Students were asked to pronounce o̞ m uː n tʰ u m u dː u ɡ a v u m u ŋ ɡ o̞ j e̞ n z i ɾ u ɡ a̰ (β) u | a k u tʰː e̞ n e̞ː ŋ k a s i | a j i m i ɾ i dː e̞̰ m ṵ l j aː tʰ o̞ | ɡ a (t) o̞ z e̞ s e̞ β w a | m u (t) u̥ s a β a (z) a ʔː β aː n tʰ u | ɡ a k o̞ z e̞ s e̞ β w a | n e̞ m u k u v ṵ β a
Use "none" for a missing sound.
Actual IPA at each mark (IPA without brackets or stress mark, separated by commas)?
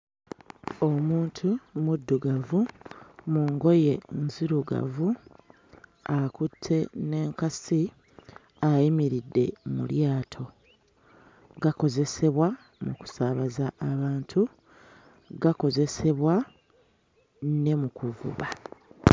v, k, k, z